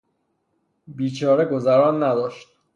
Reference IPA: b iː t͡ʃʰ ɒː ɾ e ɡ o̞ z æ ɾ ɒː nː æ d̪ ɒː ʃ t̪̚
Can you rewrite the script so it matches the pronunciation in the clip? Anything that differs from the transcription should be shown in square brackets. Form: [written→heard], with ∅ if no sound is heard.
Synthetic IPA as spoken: b iː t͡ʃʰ ɒː ɾ e ɡ o̞ z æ ɾ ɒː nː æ d̪ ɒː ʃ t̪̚